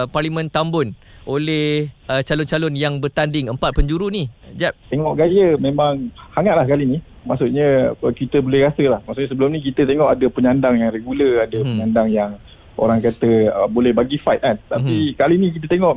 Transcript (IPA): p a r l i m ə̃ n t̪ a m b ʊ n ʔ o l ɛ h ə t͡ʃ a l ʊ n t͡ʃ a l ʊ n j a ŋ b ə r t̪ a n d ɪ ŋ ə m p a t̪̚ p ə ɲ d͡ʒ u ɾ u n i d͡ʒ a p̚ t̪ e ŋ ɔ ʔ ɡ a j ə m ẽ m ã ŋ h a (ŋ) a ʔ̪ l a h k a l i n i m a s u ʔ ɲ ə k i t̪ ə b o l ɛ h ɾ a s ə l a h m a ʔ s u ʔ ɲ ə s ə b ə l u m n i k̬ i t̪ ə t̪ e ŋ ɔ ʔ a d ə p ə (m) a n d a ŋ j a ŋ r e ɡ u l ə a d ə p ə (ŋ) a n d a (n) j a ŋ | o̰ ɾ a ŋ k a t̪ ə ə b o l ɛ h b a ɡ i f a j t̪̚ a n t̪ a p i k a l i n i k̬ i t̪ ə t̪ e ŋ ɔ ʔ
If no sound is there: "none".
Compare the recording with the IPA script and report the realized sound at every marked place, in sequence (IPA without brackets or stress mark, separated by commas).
ŋ, ɲ, ɲ, ŋ